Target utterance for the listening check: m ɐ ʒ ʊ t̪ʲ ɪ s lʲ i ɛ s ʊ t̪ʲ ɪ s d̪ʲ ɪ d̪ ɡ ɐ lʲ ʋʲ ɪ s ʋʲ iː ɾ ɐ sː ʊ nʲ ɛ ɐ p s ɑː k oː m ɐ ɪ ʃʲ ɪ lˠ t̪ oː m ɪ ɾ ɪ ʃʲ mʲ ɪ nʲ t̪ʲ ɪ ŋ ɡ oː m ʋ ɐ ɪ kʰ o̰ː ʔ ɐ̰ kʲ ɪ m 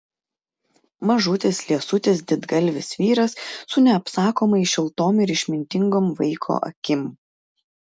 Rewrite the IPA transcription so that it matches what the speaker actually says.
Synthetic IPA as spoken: m ɐ ʒ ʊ t̪ʲ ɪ s lʲ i ɛ s ʊ t̪ʲ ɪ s d̪ʲ ɪ d̪ ɡ ɐ lʲ ʋʲ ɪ s ʋʲ iː ɾ ɐ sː ʊ nʲ ɛ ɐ p s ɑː k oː m ɐ ɪ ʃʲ ɪ lˠ t̪ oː m ɪ ɾ ɪ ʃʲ mʲ ɪ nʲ t̪ʲ ɪ ŋ ɡ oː m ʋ ɐ ɪ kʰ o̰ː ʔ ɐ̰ kʲ ɪ m